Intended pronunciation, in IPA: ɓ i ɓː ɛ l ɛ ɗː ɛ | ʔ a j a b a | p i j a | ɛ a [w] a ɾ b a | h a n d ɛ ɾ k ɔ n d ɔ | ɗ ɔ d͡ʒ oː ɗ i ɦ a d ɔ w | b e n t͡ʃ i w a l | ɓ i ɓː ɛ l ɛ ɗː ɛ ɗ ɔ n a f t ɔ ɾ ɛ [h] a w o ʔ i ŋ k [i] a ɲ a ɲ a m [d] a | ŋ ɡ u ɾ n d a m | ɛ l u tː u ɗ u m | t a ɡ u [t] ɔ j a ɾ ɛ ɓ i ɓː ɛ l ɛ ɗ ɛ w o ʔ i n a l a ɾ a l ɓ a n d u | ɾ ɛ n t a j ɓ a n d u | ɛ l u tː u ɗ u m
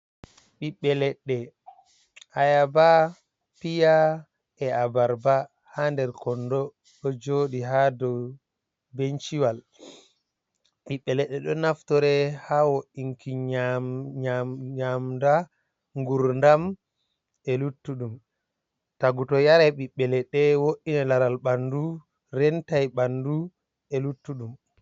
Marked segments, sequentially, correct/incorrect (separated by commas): incorrect, correct, correct, correct, correct